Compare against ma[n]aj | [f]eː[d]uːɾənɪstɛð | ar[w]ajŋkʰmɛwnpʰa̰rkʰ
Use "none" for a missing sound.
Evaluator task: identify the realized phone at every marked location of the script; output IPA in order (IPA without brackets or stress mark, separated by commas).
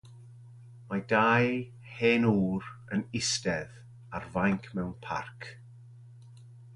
d, h, n, v